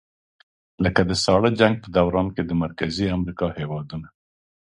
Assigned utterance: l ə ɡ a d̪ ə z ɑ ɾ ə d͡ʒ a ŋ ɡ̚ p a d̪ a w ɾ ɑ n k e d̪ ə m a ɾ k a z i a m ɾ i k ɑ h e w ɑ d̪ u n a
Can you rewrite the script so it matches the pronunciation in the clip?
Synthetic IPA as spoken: l ə k a d̪ ə s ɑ ɽ ə d͡ʒ a ŋ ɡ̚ p ə d̪ a w ɾ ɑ n k e d̪ ə m a ɾ k a z i a m ɾ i k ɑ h e w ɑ d̪ u n a

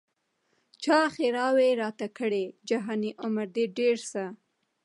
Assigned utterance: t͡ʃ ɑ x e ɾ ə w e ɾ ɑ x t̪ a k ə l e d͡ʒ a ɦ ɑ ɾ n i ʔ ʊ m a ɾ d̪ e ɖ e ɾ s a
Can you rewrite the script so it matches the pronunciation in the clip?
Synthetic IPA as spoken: t͡ʃ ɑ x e ɾ ɑ w e ɾ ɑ t̪ a k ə ɽ e d͡ʒ a ɦ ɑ n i ʔ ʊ m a ɾ d̪ e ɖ e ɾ s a

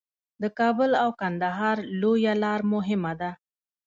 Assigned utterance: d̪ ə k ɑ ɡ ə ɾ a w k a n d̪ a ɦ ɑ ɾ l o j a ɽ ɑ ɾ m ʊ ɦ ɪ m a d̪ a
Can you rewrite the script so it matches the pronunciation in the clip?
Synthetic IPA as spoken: d̪ ə k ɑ b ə l a w k a n d̪ a ɦ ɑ ɾ l o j a l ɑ ɾ m ʊ ɦ ɪ m a d̪ a

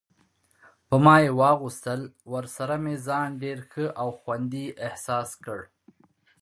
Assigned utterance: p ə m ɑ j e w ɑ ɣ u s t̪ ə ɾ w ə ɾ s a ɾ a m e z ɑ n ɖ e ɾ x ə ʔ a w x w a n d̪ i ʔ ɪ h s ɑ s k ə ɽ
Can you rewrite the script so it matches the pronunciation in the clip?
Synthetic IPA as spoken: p ə m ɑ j e w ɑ ɣ u s t̪ ə l w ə ɾ s a ɾ a m e z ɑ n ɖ e ɾ x ə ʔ a w x w a n d̪ i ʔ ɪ h s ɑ s k ə ɽ

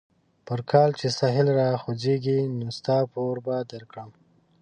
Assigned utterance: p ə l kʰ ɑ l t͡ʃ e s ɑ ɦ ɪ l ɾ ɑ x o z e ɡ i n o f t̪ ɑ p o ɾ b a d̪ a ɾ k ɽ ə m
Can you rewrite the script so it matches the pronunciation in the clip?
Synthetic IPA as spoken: p ə ɾ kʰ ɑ l t͡ʃ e s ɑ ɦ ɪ l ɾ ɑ x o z e ɡ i n o s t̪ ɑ p o ɾ b a d̪ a ɾ k ɽ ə m

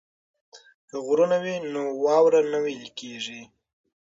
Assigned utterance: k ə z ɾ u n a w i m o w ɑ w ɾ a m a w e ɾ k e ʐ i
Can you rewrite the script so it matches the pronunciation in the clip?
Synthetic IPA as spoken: k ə ɣ ɾ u n a w i n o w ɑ w ɾ a n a w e l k e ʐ i

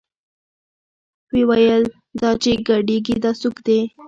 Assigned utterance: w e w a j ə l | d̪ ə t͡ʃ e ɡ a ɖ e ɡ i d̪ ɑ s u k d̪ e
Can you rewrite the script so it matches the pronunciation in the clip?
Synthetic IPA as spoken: w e w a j ə l | d̪ ɑ t͡ʃ e ɡ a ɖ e ɡ i d̪ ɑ s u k d̪ e

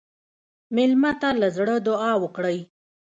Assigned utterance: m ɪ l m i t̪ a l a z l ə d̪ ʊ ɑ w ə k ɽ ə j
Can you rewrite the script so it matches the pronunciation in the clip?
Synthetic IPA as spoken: m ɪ l m a t̪ a l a z ɽ ə d̪ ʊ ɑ w ə k ɽ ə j

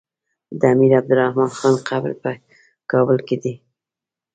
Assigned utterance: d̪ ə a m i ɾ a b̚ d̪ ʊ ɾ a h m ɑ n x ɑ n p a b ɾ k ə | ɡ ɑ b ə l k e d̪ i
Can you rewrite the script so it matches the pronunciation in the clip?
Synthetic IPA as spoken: d̪ ə a m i ɾ a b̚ d̪ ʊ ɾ a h m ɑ n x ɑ n q a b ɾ p ə | k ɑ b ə l k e d̪ i

